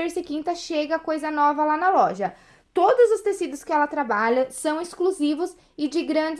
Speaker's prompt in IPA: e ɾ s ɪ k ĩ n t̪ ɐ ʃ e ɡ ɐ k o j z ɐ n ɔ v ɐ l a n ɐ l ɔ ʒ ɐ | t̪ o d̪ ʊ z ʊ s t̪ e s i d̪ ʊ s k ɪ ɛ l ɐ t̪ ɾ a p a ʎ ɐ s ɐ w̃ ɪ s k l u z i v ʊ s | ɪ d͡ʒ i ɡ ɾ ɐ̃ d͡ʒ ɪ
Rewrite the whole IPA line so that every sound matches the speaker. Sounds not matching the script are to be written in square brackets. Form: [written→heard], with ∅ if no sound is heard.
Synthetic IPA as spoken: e ɾ s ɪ k ĩ n t̪ ɐ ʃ e ɡ ɐ k o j z ɐ n ɔ v ɐ l a n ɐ l ɔ ʒ ɐ | t̪ o d̪ ʊ z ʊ s t̪ e s i d̪ ʊ s k ɪ ɛ l ɐ t̪ ɾ a [p→b] a ʎ ɐ s [ɐ→ɐ̃] w̃ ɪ s k l u z i v ʊ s | ɪ d͡ʒ [i→ɪ] ɡ ɾ ɐ̃ d͡ʒ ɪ

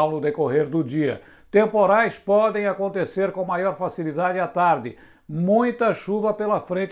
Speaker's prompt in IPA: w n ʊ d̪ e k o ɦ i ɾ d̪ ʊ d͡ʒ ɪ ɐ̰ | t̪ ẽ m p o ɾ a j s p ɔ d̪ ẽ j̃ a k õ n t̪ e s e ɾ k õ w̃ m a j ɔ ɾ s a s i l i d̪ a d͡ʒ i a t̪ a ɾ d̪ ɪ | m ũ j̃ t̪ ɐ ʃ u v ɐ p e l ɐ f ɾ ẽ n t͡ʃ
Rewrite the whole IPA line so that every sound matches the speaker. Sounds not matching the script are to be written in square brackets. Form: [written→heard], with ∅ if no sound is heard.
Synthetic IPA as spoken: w n ʊ d̪ e k o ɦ [i→e] ɾ d̪ ʊ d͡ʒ [ɪ→i] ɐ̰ | t̪ ẽ m p o ɾ a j s p ɔ d̪ ẽ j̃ a k õ n t̪ e s e ɾ k õ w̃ m a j ɔ ɾ [s→f] a s i l i d̪ a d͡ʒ [i→ɪ] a t̪ a ɾ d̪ ɪ | m ũ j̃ t̪ ɐ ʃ u v ɐ p e l ɐ f ɾ ẽ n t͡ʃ

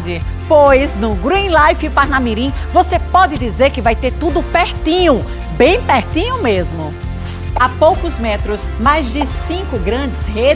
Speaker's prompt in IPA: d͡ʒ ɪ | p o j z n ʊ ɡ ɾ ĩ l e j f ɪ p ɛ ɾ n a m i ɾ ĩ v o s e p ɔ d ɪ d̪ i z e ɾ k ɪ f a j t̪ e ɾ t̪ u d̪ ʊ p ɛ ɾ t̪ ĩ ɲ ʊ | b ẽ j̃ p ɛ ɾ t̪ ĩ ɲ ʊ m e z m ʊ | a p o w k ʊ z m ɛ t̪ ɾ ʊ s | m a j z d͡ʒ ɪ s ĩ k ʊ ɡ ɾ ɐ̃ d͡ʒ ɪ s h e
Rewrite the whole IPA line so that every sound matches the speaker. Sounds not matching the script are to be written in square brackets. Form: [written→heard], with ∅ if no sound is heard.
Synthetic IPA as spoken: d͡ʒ ɪ | p o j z n ʊ ɡ ɾ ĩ l [e→a] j f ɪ p [ɛ→a] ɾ n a m i ɾ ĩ v o s e p ɔ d ɪ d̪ i z e ɾ k ɪ [f→v] a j t̪ e ɾ t̪ u d̪ ʊ p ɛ ɾ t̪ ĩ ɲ ʊ | b ẽ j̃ p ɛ ɾ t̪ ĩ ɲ ʊ m e z m ʊ | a p o w k ʊ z m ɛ t̪ ɾ ʊ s | m a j z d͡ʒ ɪ s ĩ k ʊ ɡ ɾ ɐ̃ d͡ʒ ɪ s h e

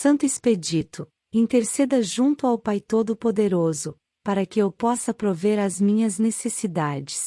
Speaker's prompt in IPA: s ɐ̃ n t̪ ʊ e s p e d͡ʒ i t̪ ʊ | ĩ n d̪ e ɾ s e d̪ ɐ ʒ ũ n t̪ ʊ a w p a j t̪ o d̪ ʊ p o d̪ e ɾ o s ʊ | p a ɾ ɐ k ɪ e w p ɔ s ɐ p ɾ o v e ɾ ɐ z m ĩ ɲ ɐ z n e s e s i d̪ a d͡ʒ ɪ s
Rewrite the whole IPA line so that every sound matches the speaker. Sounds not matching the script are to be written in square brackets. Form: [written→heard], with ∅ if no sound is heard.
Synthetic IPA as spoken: s ɐ̃ n t̪ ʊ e s p e d͡ʒ i t̪ ʊ | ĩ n [d̪→t̪] e ɾ s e d̪ ɐ ʒ ũ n t̪ ʊ a w p a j t̪ o d̪ ʊ p o d̪ e ɾ o [s→z] ʊ | p a ɾ ɐ k ɪ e w p ɔ s ɐ p ɾ o v e ɾ ɐ z m ĩ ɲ ɐ z n e s e s i d̪ a d͡ʒ ɪ s

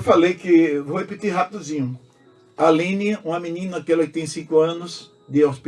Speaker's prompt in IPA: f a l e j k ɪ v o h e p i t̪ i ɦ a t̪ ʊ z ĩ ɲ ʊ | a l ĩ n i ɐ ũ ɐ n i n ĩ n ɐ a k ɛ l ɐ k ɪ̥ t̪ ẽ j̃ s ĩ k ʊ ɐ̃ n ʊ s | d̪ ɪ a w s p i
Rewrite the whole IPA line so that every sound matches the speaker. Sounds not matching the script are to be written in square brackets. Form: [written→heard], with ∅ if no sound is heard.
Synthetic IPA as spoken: f a l e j k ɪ v o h e p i t̪ i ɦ a t̪ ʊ z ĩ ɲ ʊ | a l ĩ n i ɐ ũ ɐ [n→m] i n ĩ n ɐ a k ɛ l ɐ k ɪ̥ t̪ ẽ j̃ s ĩ k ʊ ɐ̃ n ʊ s | d̪ ɪ a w s p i

